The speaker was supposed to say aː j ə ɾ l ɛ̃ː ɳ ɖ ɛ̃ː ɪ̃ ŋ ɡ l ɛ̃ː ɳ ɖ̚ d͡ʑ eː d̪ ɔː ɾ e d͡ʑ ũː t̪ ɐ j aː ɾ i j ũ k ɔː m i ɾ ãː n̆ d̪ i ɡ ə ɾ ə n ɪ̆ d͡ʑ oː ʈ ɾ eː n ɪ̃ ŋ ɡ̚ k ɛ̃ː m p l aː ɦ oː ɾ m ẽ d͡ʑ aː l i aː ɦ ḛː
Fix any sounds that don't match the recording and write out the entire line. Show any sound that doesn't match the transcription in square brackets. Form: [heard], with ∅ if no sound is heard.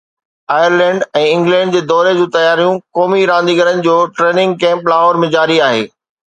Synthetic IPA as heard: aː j ə ɾ l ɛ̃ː ɳ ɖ ɛ̃ː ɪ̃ ŋ ɡ l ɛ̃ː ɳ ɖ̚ d͡ʑ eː d̪ ɔː ɾ e d͡ʑ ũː t̪ ɐ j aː ɾ i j ũ k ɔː m i ɾ ãː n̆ d̪ i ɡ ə ɾ ə n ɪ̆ d͡ʑ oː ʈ ɾ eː n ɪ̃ ŋ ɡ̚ k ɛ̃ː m p l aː ɦ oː ɾ m ẽ d͡ʑ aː [ɾ] i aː ɦ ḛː